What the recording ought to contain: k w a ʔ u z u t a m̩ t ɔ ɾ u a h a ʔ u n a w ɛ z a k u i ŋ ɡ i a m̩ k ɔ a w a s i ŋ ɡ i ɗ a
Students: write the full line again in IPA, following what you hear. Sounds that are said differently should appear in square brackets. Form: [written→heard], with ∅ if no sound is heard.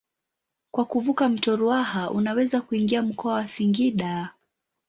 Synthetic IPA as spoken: k w a [ʔ→k] u [z→v] u [t→k] a m̩ t ɔ ɾ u a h a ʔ u n a w ɛ z a k u i ŋ ɡ i a m̩ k ɔ a w a s i ŋ ɡ i ɗ a

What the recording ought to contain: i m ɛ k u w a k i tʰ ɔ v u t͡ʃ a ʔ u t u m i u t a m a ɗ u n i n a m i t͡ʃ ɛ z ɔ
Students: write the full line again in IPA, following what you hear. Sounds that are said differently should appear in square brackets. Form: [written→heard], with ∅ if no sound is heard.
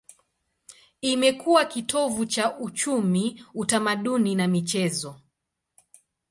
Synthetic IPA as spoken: i m ɛ k u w a k i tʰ ɔ v u t͡ʃ a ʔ u [t→t͡ʃ] u m i u t a m a ɗ u n i n a m i t͡ʃ ɛ z ɔ

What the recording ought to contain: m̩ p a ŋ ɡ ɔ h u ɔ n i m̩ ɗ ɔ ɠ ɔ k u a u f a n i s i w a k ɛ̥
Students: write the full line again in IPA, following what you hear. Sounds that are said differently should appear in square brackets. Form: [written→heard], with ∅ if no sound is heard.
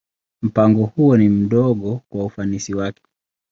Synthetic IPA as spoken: m̩ p a ŋ ɡ ɔ h u ɔ n i m̩ ɗ ɔ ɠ ɔ k [u→w] a u f a n i s i w a k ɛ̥

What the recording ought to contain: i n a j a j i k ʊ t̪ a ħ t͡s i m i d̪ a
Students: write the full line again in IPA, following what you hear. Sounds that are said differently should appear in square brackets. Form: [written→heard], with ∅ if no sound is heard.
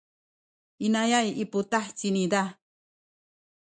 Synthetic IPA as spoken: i n a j a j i [k→p] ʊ t̪ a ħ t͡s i [m→n] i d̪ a

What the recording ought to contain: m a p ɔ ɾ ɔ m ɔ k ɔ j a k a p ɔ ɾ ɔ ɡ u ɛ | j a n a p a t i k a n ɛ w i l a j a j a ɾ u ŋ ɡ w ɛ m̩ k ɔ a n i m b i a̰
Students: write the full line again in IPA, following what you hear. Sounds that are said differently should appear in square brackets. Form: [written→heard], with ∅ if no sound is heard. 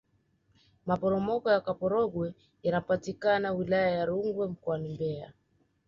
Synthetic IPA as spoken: m a p ɔ ɾ ɔ m ɔ k ɔ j a k a p ɔ ɾ ɔ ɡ [u→w] ɛ | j a n a p a t i k a n [ɛ→a] w i l a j a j a ɾ u ŋ ɡ w ɛ m̩ k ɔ a n i m b [i→ɛ] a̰

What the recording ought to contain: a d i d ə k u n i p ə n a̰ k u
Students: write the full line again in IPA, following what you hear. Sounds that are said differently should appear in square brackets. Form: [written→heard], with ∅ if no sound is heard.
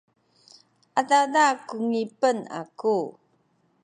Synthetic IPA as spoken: a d [i→a] d [ə→a] k u [n→ŋ] i p ə n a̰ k u

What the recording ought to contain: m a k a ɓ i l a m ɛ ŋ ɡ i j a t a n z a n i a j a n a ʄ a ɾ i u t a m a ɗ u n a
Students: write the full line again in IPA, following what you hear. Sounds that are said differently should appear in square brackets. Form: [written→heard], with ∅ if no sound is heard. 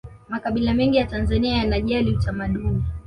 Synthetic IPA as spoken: m a k a ɓ i l a m ɛ ŋ ɡ i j a t a n z a n i a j a n a ʄ a [ɾ→l] i u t a m a ɗ u n [a→i]

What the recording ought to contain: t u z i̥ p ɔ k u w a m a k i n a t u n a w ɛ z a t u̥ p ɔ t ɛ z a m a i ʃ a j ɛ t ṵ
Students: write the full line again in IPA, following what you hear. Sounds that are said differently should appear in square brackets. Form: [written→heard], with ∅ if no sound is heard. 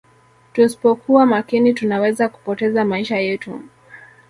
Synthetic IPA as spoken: t u [z→s] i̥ p ɔ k u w a m a k i n [a→i] t u n a w ɛ z a [t→k] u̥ p ɔ t ɛ z a m a i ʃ a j ɛ t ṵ

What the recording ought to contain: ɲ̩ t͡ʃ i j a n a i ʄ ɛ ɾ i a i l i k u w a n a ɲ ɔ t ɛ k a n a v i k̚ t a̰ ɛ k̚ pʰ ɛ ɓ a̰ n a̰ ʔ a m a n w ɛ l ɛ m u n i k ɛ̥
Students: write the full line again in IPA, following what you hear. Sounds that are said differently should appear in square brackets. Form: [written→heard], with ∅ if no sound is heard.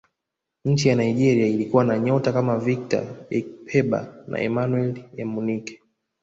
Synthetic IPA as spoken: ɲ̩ t͡ʃ i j a n a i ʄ ɛ ɾ i a i l i k u w a n a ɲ ɔ t [ɛ→a] k a [n→m] a v i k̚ t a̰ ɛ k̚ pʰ ɛ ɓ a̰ n a̰ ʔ [a→ɛ] m a n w ɛ l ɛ m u n i k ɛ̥

